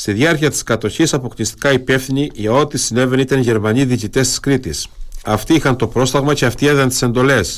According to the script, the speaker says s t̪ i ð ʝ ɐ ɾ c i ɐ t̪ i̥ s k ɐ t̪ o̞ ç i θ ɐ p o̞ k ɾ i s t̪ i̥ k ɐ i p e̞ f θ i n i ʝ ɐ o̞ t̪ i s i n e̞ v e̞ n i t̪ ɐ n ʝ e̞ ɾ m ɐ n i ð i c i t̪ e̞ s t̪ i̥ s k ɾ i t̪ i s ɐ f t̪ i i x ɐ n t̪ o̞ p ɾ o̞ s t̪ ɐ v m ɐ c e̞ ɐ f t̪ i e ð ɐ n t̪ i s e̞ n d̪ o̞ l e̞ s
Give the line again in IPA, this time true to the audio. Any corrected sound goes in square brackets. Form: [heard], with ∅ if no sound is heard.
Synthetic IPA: s t̪ i ð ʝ ɐ ɾ c i ɐ t̪ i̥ s k ɐ t̪ o̞ ç i [s] ɐ p o̞ k [l] i s t̪ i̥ k ɐ i p e̞ f θ i n i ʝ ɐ o̞ t̪ i s i n e̞ v e̞ n i t̪ ɐ n ʝ e̞ ɾ m ɐ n i ð i c i t̪ e̞ s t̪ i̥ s k ɾ i t̪ i s ɐ f t̪ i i x ɐ n t̪ o̞ p ɾ o̞ s t̪ ɐ [ɣ] m ɐ c e̞ ɐ f t̪ i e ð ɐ n t̪ i s e̞ n d̪ o̞ l e̞ s